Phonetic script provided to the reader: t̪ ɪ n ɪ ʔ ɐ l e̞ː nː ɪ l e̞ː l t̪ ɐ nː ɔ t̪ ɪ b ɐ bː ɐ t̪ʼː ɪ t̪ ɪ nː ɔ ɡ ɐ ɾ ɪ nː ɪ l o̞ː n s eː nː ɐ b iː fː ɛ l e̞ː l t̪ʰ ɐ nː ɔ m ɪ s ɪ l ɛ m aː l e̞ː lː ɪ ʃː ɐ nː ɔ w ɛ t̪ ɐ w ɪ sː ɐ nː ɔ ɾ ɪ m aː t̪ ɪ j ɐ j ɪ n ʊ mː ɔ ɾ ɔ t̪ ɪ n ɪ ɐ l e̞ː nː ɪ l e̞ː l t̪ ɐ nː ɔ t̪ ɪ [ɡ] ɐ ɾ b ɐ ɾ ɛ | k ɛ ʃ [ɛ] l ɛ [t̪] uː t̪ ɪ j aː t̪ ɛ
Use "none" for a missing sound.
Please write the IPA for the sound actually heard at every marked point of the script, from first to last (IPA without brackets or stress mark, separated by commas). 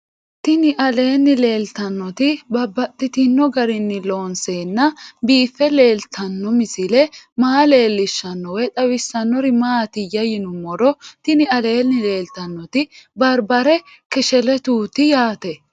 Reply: b, ɛ, t̪